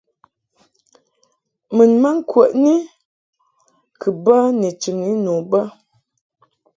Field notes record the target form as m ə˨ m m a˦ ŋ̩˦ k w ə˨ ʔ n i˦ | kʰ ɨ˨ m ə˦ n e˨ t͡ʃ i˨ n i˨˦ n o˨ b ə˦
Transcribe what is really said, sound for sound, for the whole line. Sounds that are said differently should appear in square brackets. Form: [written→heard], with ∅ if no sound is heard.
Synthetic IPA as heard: m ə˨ [m→n] m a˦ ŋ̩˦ k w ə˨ ʔ n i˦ | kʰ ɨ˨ [m→b] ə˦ n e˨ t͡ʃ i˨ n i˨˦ n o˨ b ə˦